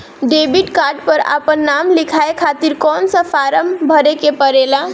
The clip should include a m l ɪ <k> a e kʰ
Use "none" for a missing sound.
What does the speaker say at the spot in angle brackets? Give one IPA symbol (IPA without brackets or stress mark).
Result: kʰ